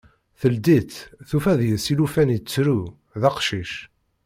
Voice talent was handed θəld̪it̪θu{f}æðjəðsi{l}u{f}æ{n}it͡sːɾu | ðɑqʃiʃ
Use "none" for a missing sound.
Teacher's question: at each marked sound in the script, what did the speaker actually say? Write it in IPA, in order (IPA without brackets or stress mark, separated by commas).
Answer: f, l, f, n